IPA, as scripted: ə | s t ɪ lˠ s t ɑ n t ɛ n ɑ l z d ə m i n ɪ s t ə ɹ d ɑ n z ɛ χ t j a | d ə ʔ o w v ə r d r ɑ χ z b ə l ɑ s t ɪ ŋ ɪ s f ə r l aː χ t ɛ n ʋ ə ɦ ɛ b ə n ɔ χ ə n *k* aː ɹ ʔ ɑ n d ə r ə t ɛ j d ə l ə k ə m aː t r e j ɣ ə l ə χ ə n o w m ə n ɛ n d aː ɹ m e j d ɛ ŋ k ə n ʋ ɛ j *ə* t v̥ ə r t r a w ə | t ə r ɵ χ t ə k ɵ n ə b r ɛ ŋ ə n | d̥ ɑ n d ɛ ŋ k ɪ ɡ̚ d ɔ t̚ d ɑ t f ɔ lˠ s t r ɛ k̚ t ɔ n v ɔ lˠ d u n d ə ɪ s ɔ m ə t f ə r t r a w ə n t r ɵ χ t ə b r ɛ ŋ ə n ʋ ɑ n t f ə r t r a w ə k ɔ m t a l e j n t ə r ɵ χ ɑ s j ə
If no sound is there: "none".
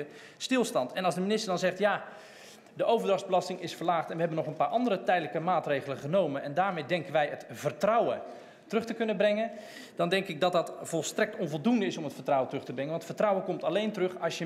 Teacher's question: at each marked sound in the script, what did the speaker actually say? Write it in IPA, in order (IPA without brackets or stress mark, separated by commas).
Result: p, ə